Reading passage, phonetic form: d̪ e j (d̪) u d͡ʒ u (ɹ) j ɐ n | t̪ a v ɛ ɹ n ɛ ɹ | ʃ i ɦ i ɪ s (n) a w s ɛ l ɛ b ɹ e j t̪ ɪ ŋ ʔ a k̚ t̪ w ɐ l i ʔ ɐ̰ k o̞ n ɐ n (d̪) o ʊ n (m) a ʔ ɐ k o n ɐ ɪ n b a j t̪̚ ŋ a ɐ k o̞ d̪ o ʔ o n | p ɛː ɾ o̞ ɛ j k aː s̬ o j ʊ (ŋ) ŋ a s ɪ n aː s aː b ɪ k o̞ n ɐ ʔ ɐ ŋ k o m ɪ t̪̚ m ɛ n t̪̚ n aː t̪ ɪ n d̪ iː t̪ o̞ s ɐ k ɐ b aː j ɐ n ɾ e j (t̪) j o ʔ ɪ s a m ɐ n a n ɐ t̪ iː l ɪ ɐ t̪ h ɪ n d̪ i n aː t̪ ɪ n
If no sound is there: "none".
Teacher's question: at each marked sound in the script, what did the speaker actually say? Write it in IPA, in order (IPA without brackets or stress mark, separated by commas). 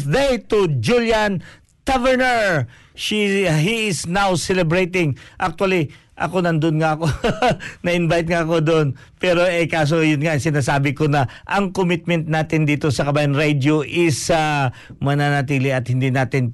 t̪, l, n, d̪, ŋ, n, d̪